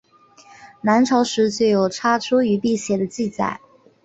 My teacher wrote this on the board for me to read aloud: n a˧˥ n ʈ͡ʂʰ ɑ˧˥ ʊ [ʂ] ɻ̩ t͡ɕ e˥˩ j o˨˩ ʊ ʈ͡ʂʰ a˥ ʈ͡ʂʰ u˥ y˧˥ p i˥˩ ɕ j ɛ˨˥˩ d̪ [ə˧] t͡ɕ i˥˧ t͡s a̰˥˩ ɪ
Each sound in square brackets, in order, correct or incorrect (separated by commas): correct, correct